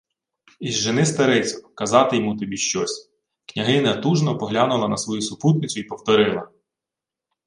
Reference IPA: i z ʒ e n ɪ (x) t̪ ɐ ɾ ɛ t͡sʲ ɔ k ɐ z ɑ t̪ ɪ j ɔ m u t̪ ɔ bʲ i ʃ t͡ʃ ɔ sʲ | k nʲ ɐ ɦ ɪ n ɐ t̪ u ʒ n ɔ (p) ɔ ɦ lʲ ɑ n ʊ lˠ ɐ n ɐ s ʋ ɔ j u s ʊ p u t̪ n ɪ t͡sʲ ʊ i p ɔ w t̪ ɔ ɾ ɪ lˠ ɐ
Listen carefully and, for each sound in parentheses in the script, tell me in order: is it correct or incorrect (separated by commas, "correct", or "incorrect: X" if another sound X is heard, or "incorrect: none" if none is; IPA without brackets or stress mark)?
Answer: incorrect: s, correct